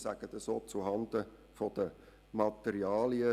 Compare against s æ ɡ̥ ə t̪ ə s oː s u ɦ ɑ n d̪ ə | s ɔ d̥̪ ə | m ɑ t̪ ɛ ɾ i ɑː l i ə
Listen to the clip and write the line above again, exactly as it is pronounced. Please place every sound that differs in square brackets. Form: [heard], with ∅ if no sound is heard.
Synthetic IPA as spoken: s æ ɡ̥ ə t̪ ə s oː [t͡s] u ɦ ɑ n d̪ ə | [f] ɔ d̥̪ ə | m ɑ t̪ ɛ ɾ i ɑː l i ə